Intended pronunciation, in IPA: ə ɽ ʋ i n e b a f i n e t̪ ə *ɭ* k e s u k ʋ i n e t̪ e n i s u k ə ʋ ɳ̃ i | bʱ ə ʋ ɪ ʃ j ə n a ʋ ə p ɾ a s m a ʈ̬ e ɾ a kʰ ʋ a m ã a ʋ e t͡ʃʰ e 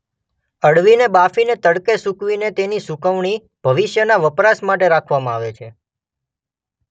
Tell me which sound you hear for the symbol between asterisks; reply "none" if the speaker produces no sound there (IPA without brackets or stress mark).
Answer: ɽ